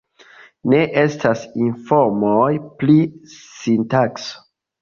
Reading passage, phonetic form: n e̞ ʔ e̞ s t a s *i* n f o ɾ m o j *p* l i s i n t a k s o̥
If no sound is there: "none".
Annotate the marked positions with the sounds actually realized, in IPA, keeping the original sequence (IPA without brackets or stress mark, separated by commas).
i, p